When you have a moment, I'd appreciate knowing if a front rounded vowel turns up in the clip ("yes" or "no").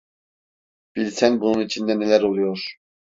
no